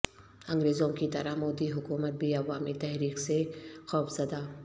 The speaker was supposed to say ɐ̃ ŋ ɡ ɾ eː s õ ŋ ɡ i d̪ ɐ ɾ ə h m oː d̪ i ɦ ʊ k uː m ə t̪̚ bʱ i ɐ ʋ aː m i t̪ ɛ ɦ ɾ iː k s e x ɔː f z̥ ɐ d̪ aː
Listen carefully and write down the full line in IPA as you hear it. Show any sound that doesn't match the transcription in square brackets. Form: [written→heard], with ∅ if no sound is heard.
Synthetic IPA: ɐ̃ ŋ ɡ ɾ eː [s→z] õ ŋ [ɡ→k] i [d̪→t̪] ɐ ɾ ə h m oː d̪ i ɦ ʊ k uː m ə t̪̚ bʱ i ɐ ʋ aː m i t̪ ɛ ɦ ɾ iː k s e x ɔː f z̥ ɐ d̪ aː